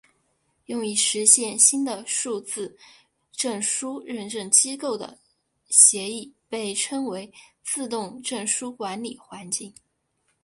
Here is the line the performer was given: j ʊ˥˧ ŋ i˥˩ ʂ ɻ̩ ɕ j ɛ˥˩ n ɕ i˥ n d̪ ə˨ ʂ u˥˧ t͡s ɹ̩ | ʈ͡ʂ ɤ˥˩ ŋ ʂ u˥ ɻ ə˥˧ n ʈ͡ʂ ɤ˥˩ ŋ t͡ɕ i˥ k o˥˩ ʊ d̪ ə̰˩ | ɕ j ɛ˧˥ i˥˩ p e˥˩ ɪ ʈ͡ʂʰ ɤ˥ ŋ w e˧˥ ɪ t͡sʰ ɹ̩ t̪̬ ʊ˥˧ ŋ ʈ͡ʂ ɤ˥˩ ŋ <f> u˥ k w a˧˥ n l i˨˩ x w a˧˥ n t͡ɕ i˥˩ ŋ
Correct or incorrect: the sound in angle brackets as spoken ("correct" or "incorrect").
incorrect